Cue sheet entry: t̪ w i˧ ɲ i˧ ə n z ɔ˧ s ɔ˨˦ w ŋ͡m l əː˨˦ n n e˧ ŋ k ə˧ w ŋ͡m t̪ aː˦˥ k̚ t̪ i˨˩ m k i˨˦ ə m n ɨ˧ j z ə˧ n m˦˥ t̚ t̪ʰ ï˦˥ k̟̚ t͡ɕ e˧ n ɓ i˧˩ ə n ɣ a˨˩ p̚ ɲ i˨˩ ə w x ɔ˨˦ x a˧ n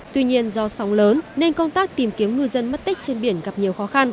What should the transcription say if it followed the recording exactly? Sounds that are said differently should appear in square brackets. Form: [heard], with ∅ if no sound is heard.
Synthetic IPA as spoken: t̪ w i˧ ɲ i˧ ə n z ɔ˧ s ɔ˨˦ w ŋ͡m l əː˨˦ n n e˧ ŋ k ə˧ w ŋ͡m t̪ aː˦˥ k̚ t̪ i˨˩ m k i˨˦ ə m [ŋ] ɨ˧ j z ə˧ n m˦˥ t̚ [t̪] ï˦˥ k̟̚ t͡ɕ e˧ n ɓ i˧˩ ə n ɣ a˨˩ p̚ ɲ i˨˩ ə w x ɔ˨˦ x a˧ n